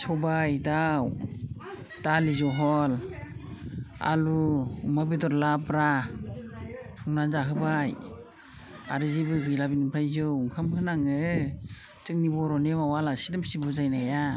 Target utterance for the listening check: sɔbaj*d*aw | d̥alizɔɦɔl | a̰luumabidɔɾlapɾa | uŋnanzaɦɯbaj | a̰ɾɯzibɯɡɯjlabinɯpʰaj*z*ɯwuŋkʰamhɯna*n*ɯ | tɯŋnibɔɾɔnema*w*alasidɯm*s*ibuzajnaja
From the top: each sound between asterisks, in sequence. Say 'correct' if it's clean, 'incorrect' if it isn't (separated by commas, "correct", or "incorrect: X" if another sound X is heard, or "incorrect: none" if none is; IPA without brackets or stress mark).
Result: correct, correct, incorrect: ŋ, correct, correct